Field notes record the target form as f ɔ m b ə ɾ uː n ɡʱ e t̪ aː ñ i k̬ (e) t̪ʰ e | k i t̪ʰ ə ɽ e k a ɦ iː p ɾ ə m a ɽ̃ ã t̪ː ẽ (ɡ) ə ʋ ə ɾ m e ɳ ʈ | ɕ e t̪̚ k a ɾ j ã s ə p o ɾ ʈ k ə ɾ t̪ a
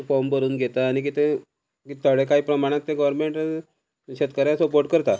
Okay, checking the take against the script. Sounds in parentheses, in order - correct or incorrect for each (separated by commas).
incorrect, correct